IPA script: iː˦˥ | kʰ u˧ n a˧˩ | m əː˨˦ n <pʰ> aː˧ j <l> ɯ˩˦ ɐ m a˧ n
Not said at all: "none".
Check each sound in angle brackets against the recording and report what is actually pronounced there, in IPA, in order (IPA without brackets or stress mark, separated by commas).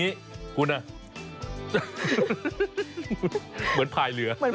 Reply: pʰ, l